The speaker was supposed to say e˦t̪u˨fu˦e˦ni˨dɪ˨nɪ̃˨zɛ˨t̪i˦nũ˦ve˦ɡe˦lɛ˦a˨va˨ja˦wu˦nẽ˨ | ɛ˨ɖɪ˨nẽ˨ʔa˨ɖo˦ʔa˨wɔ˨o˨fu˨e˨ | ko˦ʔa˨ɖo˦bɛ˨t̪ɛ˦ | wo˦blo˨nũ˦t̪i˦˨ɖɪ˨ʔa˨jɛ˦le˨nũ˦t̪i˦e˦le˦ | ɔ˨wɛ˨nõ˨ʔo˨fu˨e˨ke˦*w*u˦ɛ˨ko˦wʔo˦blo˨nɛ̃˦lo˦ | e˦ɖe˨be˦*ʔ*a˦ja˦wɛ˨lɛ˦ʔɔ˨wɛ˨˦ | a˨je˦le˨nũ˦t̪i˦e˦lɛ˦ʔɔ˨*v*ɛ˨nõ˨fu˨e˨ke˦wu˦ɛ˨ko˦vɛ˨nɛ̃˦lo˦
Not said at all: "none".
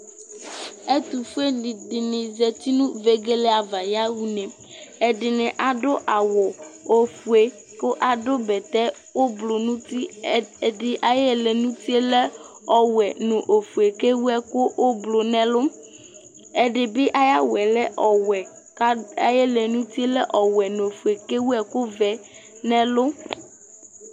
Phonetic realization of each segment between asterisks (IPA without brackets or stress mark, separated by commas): w, ʔ, w